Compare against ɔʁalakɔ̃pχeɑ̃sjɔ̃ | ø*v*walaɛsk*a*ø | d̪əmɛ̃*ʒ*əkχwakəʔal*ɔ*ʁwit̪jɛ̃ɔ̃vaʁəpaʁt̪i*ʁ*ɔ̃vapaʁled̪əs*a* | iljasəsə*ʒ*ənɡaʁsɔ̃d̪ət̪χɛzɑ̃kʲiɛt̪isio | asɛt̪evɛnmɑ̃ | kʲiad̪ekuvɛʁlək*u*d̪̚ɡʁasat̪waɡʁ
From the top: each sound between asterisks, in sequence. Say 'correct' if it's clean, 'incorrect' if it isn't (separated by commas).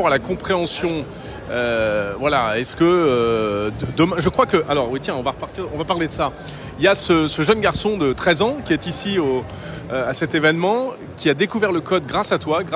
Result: correct, incorrect, correct, correct, correct, correct, correct, incorrect